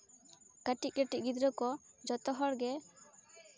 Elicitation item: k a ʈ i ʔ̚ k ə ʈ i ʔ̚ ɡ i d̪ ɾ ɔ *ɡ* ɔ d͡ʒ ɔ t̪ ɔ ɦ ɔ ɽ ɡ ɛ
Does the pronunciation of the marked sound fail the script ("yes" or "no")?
yes